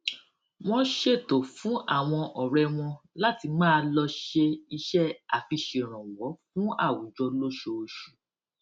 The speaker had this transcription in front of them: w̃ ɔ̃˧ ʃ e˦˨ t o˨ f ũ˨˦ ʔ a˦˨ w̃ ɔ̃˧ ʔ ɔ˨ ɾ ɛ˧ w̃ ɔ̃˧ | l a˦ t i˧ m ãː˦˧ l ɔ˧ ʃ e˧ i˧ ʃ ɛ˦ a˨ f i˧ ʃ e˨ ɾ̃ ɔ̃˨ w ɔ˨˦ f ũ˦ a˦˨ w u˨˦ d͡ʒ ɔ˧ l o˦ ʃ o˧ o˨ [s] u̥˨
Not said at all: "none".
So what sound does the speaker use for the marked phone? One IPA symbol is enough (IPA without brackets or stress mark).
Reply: ʃ